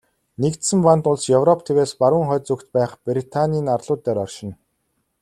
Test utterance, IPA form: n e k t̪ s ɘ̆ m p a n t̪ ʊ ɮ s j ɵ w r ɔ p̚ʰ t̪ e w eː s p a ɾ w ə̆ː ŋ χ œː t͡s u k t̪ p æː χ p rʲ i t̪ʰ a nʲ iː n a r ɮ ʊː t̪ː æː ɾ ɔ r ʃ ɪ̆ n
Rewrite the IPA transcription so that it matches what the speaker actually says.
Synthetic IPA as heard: n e k t̪ s ɘ̆ m p a n t̪ ʊ ɮ s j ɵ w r ɔ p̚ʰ t̪ʰ e w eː s p a ɾ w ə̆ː ŋ χ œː t͡s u k t̪ p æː χ p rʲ i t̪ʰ a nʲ iː n a r ɮ ʊː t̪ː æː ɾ ɔ r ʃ ɪ̆ n